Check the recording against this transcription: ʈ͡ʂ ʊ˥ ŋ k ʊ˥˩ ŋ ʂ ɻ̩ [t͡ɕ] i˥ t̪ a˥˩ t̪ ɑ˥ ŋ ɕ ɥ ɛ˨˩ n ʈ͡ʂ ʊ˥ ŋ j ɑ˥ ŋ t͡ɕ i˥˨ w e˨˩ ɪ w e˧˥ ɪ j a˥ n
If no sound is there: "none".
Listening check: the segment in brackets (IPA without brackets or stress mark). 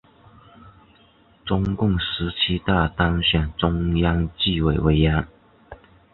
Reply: t͡ɕʰ